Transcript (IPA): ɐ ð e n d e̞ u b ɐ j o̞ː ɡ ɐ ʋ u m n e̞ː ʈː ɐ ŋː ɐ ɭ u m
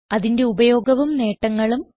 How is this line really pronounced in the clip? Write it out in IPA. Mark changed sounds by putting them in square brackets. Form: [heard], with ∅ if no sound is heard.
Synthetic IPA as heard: ɐ ð [i] n d e̞ u b ɐ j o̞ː ɡ ɐ ʋ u m n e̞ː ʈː ɐ ŋː ɐ ɭ u m